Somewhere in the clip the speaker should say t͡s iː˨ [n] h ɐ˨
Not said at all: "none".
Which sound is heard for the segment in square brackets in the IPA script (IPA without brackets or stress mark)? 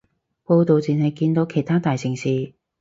n